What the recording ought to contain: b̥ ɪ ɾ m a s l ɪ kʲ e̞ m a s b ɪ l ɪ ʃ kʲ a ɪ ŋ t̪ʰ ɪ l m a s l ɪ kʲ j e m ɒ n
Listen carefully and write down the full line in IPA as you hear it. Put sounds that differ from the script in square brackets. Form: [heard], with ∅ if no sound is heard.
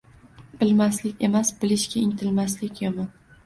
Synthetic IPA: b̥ ɪ [l] m a s l ɪ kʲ e̞ m a s b ɪ l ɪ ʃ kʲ a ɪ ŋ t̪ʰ ɪ l m a s l ɪ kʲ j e m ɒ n